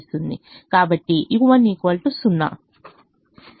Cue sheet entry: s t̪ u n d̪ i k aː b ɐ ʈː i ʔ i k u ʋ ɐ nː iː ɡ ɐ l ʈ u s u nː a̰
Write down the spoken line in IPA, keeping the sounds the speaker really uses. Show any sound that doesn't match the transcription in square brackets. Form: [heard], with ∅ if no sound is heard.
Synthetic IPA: s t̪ u n d̪ i k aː b ɐ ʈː i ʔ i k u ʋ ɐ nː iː [k] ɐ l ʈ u s u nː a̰